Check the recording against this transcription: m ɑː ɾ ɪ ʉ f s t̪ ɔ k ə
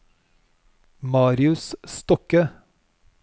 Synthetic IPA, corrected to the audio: m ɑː ɾ ɪ ʉ s s t̪ ɔ k ə